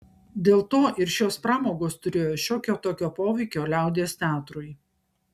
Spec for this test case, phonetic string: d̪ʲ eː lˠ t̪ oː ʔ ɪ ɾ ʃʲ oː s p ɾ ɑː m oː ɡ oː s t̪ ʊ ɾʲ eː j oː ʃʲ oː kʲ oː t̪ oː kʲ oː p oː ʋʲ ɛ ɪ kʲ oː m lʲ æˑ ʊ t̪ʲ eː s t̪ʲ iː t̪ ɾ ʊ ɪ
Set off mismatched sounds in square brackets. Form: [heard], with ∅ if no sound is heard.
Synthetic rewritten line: d̪ʲ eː lˠ t̪ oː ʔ ɪ ɾ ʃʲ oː s p ɾ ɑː m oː ɡ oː s t̪ ʊ ɾʲ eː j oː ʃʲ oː kʲ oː t̪ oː kʲ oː p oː ʋʲ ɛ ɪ kʲ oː [∅] lʲ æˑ ʊ [d̪ʲ] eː s t̪ʲ [æː] t̪ ɾ ʊ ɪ